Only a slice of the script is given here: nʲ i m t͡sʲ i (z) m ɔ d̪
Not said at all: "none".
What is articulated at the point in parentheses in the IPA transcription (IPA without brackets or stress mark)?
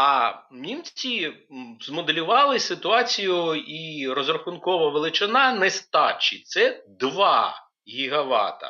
z